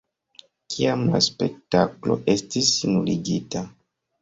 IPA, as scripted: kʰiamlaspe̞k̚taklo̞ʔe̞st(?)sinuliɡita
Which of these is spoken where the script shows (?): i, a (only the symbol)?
i